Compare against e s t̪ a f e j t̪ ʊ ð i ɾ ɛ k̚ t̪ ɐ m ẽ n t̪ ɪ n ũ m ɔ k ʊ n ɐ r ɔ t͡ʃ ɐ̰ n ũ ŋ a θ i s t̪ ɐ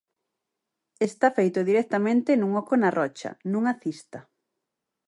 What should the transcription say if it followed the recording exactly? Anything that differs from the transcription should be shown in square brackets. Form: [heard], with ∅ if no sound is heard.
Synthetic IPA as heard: e s t̪ a f e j t̪ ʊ ð i ɾ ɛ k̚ t̪ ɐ m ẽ n t̪ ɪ n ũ [ŋ] ɔ k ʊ n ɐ r ɔ t͡ʃ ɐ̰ n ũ ŋ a θ i s t̪ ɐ